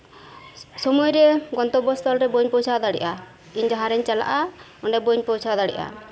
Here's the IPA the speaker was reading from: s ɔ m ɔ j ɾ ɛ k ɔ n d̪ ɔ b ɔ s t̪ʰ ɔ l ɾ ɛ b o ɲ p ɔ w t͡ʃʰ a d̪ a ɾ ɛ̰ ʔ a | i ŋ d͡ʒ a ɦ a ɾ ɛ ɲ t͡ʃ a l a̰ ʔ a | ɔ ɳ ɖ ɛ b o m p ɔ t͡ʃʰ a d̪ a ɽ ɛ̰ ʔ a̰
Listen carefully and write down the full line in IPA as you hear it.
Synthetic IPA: s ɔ m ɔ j ɾ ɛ ɡ ɔ n t̪ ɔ b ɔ s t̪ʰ ɔ l ɾ ɛ b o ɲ p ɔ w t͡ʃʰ a d̪ a ɽ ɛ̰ ʔ a | i ɲ d͡ʒ a ɦ a ɾ ɛ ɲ t͡ʃ a l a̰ ʔ a | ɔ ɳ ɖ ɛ b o ɲ p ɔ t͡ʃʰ a d̪ a ɽ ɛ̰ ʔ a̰